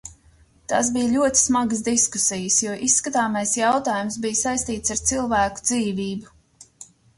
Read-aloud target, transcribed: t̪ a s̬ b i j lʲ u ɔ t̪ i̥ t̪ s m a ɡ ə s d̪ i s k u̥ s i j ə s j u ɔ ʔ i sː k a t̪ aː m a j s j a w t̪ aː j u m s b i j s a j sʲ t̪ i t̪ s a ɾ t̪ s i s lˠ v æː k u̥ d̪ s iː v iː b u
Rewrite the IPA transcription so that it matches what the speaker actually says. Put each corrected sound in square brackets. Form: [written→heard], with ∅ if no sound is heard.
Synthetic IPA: t̪ a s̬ b i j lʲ u ɔ t̪ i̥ [t̪→∅] s m a ɡ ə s d̪ i s k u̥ s i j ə s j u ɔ ʔ i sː k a t̪ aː m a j s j a w t̪ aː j u m s b i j s a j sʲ t̪ [i→iː] t̪ s a ɾ t̪ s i [s→∅] lˠ v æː k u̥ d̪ [s→z] iː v iː b u